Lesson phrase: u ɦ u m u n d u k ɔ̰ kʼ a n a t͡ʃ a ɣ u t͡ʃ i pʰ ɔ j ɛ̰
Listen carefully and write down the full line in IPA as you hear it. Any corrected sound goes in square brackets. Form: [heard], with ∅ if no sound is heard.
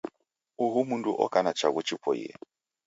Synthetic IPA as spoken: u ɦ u m u n d u [ʔ] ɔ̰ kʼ a n a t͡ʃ a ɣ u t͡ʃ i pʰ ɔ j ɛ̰